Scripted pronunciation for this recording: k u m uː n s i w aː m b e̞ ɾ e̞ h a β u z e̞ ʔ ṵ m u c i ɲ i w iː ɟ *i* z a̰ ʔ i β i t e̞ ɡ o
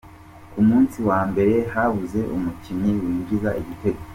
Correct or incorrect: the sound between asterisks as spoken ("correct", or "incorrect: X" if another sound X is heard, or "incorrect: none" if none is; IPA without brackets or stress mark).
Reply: correct